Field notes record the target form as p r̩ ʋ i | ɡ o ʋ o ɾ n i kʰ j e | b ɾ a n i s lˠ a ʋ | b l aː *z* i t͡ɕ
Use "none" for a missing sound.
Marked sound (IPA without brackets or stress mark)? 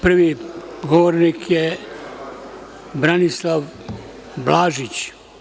ʒ